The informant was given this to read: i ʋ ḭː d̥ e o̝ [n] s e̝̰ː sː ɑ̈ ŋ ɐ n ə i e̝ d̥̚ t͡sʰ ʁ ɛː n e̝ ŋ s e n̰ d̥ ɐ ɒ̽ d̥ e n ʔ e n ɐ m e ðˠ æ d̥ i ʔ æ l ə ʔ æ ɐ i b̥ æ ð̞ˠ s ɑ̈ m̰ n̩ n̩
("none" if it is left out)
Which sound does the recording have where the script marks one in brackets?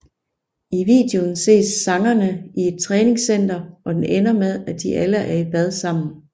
n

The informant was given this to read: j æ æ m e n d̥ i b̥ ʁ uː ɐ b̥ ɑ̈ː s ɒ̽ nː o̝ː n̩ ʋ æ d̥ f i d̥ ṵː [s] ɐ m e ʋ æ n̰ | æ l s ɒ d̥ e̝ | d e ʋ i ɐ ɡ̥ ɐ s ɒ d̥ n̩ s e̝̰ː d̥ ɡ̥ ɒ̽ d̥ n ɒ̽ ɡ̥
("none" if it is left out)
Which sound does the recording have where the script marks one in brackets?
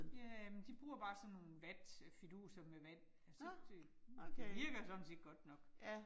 s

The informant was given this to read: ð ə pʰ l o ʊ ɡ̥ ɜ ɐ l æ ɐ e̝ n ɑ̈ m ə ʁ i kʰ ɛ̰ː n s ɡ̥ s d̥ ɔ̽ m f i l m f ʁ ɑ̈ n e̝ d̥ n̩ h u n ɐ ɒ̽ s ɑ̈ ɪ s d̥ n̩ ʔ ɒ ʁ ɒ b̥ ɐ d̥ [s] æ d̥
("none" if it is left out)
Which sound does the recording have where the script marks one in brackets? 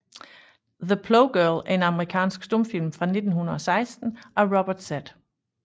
s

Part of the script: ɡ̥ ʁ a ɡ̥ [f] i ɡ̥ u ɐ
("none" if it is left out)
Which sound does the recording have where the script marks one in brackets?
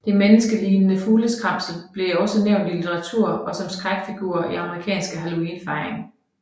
f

